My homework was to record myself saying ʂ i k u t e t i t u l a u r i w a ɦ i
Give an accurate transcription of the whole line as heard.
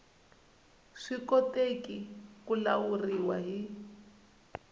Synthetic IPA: ʂ i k ɔ t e k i k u l a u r i w a ɦ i